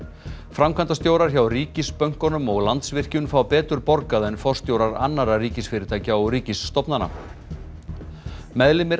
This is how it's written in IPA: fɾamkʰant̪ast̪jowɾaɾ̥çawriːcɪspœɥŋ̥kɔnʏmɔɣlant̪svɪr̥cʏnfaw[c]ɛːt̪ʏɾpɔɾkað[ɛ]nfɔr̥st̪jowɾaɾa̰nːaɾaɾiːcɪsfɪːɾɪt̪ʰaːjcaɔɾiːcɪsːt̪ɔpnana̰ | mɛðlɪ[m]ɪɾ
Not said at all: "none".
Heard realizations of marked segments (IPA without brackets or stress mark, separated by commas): p, ɛ, m